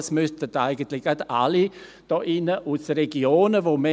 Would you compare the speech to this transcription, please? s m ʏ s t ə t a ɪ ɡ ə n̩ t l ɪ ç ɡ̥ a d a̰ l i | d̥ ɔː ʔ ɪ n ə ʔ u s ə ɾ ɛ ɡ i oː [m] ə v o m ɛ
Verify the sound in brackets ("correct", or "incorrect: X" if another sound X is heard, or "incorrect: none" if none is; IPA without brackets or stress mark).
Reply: incorrect: n